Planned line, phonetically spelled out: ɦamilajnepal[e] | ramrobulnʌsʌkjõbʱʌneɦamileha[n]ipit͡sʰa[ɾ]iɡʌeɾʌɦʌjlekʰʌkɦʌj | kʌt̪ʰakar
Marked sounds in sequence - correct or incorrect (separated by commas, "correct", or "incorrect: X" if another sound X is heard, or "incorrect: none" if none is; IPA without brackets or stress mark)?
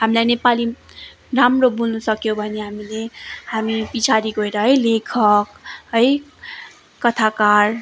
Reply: incorrect: i, incorrect: m, correct